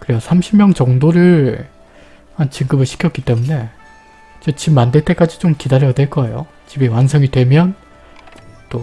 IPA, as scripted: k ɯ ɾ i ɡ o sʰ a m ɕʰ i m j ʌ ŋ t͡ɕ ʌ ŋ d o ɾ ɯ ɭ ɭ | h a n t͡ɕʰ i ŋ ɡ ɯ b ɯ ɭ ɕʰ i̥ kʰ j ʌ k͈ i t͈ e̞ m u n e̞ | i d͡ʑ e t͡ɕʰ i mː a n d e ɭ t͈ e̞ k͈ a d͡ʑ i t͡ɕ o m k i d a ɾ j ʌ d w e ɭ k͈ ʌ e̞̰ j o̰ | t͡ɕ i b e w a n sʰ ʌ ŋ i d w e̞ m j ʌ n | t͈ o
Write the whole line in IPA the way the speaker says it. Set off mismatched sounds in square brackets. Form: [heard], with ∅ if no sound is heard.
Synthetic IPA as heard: k ɯ ɾ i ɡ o sʰ a m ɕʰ i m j ʌ ŋ t͡ɕ ʌ ŋ d o ɾ ɯ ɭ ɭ | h a n [t͡ɕ] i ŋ ɡ ɯ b ɯ ɭ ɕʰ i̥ kʰ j ʌ k͈ i t͈ e̞ m u n e̞ | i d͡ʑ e [t͡ɕ] i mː a n d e ɭ t͈ e̞ k͈ a d͡ʑ i t͡ɕ o m k i d a ɾ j ʌ d w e ɭ k͈ ʌ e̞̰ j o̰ | t͡ɕ i b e w a n sʰ ʌ ŋ i d w e̞ m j ʌ n | t͈ o